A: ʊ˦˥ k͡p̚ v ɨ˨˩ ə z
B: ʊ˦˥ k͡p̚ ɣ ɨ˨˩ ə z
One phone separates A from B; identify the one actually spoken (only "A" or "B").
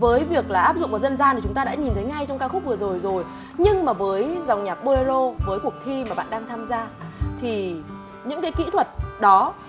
A